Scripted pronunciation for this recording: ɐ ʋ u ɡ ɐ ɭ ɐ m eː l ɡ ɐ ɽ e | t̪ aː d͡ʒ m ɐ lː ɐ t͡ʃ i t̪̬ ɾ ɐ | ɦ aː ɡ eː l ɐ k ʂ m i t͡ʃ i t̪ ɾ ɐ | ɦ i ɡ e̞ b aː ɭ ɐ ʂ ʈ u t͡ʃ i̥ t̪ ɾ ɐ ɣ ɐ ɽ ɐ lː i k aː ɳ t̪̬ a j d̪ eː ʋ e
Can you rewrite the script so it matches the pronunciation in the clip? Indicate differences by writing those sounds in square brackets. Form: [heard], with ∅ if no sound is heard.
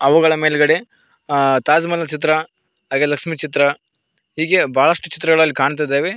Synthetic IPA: ɐ ʋ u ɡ ɐ ɭ ɐ m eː l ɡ ɐ ɽ e | t̪ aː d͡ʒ m ɐ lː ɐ t͡ʃ i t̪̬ ɾ ɐ | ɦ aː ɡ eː l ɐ k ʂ m i t͡ʃ i t̪ ɾ ɐ | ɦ [iː] ɡ e̞ b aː ɭ ɐ ʂ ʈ u t͡ʃ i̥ t̪ ɾ ɐ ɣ ɐ [ɭ] ɐ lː i k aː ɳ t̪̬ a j d̪ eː ʋ e